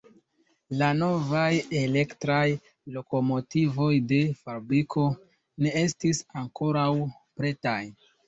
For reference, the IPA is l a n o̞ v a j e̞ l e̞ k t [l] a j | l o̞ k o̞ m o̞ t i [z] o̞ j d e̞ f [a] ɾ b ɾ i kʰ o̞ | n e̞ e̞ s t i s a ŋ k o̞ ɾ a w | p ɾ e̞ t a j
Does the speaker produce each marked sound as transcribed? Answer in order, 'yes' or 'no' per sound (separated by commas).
no, no, yes